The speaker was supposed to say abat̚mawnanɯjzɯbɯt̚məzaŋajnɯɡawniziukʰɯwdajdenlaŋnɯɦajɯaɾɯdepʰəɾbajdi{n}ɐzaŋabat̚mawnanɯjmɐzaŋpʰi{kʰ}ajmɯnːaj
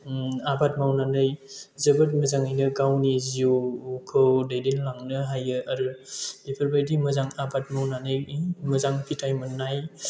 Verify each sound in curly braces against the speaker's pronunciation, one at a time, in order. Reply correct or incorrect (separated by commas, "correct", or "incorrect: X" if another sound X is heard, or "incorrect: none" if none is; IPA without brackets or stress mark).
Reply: incorrect: m, incorrect: tʰ